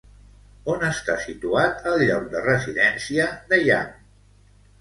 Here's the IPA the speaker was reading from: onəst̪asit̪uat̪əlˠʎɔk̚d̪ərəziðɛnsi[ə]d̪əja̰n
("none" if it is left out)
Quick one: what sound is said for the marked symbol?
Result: ə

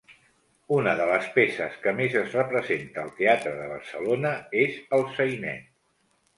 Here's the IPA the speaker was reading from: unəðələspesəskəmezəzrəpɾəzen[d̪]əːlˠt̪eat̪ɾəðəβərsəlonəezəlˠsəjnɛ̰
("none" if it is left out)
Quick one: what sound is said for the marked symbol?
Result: t̪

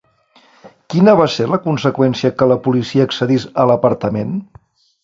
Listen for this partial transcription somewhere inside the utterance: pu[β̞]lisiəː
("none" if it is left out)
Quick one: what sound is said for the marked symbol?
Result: none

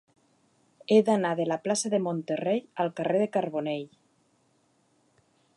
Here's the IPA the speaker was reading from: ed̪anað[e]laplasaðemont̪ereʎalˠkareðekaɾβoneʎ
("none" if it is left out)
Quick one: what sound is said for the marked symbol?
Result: e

